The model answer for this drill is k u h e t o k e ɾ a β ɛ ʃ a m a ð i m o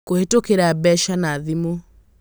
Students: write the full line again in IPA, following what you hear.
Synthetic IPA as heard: k o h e t o k e ɾ a b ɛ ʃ a n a ð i m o